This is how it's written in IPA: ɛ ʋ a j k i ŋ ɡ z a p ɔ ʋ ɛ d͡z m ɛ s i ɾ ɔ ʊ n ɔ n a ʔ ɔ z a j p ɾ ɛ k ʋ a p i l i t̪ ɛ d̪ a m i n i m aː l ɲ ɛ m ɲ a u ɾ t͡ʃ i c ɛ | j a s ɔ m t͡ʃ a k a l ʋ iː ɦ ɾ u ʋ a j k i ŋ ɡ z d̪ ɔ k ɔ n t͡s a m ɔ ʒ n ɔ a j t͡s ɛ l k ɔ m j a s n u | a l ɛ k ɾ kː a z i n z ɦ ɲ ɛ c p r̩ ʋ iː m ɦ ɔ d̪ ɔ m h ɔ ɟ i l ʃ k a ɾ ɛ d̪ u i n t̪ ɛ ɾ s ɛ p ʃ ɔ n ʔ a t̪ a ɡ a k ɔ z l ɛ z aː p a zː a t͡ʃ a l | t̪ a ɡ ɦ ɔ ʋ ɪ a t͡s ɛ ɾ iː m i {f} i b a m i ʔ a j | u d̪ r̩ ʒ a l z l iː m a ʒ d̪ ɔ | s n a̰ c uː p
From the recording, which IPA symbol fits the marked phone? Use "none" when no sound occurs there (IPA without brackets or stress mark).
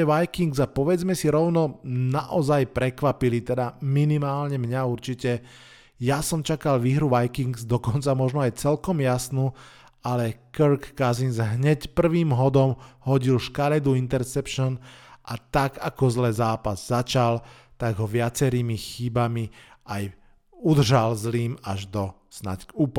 x